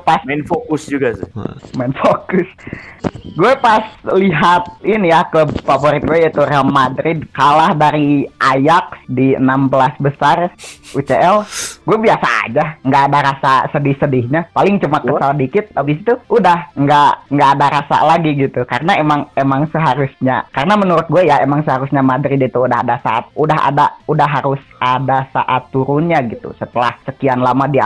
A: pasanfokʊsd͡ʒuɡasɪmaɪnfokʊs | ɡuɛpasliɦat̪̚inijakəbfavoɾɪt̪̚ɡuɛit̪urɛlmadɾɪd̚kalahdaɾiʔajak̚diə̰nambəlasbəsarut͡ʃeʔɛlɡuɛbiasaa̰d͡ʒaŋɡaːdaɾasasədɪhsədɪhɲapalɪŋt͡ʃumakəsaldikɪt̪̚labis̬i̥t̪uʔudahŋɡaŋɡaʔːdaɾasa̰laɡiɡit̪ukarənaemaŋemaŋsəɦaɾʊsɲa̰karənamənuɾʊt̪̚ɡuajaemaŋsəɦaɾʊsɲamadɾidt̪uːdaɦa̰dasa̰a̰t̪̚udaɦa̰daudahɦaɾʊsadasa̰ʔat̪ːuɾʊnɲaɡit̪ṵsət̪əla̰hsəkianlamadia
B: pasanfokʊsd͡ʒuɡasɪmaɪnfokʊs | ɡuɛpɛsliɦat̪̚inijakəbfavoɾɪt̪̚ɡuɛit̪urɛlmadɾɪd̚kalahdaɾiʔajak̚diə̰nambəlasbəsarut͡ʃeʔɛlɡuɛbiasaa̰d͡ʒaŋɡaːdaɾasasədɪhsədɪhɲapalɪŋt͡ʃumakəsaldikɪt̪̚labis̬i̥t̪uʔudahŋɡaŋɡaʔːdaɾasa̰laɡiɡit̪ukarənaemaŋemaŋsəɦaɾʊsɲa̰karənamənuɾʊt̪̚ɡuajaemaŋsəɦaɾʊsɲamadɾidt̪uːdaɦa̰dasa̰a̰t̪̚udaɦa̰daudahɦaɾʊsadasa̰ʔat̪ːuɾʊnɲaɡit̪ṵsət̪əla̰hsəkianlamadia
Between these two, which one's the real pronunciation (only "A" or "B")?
A